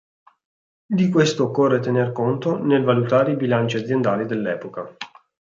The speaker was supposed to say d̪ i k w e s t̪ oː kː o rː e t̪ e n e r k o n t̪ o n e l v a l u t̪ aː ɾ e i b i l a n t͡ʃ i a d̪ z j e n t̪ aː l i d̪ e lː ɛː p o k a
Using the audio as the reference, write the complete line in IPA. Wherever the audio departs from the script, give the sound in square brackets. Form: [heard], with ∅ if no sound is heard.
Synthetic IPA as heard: d̪ i k w e s t̪ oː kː o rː e t̪ e n e r k o n t̪ o n e l v a l u t̪ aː ɾ e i b i l a n t͡ʃ i a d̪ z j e n [d̪] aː l i d̪ e lː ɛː p o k a